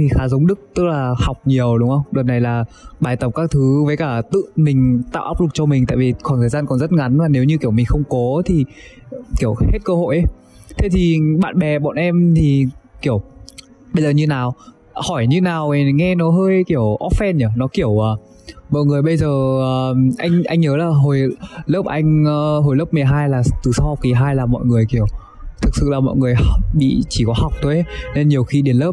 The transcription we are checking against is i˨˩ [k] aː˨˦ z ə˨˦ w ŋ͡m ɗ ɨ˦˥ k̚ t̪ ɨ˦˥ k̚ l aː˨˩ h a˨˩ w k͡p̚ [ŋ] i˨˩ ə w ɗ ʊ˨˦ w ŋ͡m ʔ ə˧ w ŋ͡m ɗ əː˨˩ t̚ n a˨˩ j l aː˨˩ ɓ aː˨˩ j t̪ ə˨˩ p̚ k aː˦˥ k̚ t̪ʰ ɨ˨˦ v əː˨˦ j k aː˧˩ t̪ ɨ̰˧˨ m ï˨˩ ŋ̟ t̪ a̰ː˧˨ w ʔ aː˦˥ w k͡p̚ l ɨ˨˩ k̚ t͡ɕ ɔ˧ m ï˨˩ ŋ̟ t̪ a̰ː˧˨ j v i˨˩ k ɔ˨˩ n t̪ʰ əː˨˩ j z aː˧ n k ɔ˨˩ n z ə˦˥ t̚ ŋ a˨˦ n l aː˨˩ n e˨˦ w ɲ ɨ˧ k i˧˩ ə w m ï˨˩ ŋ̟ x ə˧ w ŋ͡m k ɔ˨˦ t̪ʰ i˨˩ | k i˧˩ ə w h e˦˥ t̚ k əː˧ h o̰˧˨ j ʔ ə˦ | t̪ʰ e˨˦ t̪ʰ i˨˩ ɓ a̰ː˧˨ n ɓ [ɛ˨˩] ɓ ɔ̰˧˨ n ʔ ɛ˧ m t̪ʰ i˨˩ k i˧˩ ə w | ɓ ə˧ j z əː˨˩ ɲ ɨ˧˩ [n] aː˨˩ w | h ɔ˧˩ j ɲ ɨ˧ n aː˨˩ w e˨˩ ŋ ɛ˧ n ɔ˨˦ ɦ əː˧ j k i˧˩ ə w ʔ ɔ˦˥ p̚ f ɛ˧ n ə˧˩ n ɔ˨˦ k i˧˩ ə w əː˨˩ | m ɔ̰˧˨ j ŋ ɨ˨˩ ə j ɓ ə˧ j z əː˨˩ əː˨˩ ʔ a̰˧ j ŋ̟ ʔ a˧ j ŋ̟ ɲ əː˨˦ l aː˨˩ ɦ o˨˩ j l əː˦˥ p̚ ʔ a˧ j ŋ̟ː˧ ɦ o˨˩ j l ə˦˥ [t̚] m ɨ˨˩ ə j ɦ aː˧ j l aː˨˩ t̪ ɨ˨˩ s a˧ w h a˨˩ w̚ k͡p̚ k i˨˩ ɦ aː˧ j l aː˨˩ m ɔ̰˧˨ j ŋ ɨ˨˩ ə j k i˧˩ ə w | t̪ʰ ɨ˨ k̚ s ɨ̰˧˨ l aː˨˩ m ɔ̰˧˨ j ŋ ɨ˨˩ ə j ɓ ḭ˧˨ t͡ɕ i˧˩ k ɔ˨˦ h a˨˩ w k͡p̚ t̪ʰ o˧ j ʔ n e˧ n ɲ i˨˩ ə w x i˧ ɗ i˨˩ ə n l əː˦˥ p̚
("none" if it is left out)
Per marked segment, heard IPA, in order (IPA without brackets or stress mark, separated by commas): x, ɲ, ɛ˨˩, n, p̚